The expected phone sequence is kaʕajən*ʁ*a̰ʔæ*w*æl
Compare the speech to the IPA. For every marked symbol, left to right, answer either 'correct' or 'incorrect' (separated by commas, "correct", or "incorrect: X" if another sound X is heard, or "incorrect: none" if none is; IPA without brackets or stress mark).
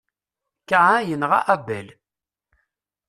correct, incorrect: b